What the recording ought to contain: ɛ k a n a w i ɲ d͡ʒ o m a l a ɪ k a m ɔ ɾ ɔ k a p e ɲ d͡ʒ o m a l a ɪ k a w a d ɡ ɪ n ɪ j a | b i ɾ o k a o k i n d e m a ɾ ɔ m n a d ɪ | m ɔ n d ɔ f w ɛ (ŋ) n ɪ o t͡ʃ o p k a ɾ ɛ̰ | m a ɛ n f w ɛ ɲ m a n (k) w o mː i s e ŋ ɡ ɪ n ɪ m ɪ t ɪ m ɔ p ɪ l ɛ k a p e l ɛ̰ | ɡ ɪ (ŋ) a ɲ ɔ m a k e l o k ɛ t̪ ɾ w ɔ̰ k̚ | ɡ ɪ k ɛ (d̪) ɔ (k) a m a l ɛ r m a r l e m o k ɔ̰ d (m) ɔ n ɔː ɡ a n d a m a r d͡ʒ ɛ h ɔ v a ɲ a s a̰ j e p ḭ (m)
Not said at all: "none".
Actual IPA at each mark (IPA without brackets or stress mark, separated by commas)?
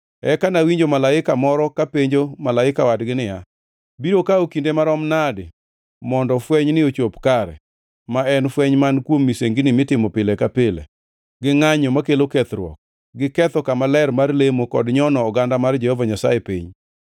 ɲ, k, ŋ, t̪, k, ɲ, ɲ